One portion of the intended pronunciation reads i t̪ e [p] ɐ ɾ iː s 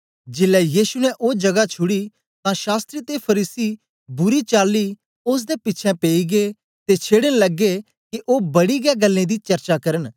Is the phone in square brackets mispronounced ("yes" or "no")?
yes